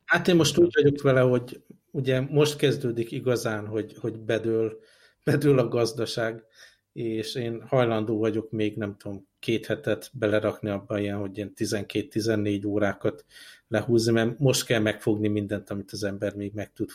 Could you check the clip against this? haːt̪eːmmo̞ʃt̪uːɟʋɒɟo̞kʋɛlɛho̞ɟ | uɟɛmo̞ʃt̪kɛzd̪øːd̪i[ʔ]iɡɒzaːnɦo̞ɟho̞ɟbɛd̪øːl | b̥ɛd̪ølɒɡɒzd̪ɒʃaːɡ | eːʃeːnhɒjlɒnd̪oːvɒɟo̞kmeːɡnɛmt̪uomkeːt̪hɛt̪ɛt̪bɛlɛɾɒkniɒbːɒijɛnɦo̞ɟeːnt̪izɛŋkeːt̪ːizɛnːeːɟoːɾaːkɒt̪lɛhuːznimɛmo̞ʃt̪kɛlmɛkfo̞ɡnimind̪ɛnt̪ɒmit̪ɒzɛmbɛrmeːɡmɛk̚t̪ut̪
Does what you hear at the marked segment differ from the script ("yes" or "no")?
yes